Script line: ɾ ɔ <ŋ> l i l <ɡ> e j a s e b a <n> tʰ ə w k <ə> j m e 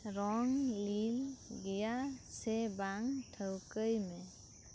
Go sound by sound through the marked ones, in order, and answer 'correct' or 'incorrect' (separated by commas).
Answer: correct, correct, incorrect, correct